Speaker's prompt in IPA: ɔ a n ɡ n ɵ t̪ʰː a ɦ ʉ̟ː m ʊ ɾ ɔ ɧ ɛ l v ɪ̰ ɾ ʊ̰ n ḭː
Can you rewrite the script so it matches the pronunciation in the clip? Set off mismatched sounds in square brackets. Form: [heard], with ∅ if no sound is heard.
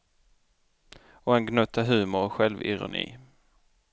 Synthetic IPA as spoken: ɔ [ɛ] n ɡ n ɵ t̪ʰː a ɦ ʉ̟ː m ʊ ɾ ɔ ɧ ɛ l v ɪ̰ ɾ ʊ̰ n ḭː

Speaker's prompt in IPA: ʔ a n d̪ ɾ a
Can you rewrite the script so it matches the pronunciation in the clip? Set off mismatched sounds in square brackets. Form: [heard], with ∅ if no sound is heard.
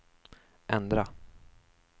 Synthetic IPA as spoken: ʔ [ɛ] n d̪ ɾ a

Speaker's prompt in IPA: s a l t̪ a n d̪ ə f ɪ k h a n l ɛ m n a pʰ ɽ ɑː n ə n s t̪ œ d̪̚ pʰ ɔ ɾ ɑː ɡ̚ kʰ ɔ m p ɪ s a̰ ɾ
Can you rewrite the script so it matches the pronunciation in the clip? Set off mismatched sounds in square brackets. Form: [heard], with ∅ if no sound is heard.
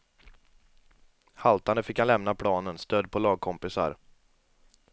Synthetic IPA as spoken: [h] a l t̪ a n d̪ ə f ɪ k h a n l ɛ m n a pʰ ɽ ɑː n ə n s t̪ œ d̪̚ pʰ ɔ [l] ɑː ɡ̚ kʰ ɔ m p ɪ s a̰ ɾ

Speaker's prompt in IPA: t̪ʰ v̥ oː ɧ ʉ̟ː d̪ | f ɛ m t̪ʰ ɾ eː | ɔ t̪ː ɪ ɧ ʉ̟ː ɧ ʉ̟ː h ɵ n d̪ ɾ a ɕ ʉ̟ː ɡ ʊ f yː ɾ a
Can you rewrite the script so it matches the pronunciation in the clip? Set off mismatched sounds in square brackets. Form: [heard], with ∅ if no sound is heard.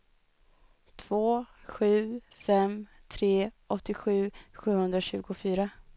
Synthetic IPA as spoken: t̪ʰ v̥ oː ɧ ʉ̟ː [∅] | f ɛ m t̪ʰ ɾ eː | ɔ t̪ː ɪ ɧ ʉ̟ː ɧ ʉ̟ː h ɵ n d̪ ɾ a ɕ ʉ̟ː ɡ ʊ f yː ɾ a

